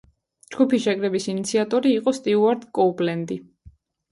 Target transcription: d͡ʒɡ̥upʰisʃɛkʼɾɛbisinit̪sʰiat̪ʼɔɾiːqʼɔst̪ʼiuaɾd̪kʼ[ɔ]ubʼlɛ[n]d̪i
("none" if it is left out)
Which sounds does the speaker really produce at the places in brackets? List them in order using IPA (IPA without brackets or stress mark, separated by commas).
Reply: ɔ, n